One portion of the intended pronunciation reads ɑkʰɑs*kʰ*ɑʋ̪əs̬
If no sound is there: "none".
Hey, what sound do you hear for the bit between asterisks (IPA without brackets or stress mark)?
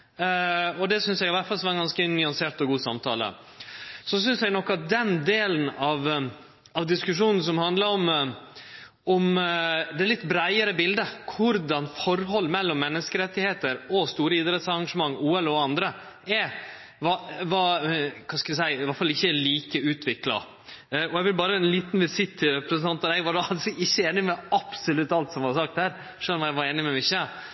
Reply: k